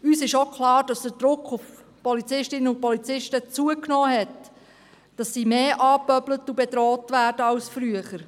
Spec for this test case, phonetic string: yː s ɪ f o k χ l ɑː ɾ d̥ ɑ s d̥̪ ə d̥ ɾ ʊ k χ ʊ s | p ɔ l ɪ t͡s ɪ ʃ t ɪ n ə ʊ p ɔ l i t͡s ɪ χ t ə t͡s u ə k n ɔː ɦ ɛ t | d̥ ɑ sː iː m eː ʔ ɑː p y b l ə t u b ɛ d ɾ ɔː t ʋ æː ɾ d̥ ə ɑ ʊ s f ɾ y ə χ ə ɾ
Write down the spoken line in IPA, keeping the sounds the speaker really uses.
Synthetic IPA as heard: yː s ɪ ʃ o k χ l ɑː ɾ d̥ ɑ s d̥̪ ə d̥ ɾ ʊ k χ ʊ f | p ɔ l i t͡s ɪ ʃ t ɪ n ə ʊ p ɔ l i t͡s ɪ ʃ t ə t͡s u ə k n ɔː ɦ ɛ t | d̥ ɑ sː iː m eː ʔ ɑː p œ b l ə t u b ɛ d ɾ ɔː t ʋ æː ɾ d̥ ə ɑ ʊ s f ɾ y ə χ ə ɾ